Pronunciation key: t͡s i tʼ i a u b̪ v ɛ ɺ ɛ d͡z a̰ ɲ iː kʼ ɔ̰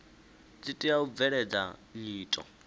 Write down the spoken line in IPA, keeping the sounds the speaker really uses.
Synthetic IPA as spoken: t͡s i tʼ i a u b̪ v ɛ ɺ ɛ d͡z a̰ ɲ iː tʼ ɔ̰